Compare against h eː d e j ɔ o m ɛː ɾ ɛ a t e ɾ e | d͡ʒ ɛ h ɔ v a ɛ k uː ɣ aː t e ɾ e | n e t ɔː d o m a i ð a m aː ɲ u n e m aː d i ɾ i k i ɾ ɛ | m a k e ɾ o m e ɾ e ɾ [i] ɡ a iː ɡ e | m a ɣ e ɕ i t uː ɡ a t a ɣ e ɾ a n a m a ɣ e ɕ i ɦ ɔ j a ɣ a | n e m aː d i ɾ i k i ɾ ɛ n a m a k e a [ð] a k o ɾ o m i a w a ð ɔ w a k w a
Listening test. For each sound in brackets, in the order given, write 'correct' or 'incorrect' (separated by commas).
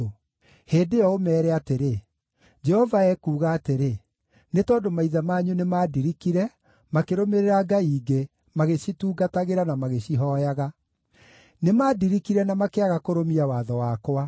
incorrect, incorrect